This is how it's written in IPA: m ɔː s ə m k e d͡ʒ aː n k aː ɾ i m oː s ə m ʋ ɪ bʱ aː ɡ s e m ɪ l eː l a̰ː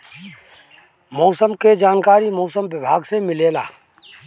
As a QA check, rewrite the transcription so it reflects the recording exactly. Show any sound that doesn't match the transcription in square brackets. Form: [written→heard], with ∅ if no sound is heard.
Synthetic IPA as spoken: m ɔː s ə m k e d͡ʒ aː n k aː ɾ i m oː s ə m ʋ ɪ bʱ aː ɡ s e m ɪ l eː l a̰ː